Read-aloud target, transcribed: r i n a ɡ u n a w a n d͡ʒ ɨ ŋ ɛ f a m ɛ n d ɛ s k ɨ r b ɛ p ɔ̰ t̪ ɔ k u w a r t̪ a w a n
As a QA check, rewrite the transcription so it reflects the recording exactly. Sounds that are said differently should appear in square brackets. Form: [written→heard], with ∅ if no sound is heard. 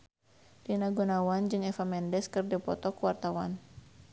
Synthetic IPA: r i n a ɡ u n a w a n d͡ʒ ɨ ŋ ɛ f a m ɛ n d ɛ s k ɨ r [b→d] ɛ p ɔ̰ t̪ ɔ k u w a r t̪ a w a n